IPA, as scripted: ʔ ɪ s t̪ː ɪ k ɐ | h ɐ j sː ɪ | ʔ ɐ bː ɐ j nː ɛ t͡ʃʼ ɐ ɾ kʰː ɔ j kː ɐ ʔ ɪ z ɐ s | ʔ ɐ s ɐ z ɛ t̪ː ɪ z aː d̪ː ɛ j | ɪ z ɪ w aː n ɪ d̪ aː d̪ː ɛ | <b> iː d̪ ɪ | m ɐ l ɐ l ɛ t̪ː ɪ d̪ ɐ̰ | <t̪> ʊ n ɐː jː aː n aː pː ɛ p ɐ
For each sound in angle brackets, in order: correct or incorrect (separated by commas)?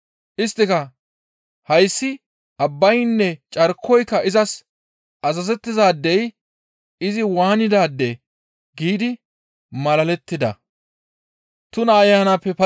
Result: incorrect, correct